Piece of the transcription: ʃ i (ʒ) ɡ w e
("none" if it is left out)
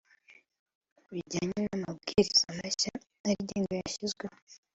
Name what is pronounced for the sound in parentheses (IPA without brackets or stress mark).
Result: z